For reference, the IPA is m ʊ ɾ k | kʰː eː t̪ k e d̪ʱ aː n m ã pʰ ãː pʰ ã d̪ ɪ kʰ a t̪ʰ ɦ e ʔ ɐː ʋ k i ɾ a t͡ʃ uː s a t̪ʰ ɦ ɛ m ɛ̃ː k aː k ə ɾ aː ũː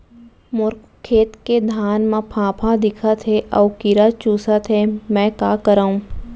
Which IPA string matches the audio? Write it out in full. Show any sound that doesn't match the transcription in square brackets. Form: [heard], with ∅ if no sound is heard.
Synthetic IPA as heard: m ʊ ɾ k | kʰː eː t̪ k e d̪ʱ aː n m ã pʰ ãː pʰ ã d̪ ɪ kʰ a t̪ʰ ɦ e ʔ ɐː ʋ k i ɾ a t͡ʃ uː s a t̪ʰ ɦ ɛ m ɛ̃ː k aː k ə ɾ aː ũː